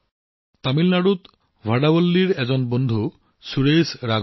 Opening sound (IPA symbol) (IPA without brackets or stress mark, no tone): t̪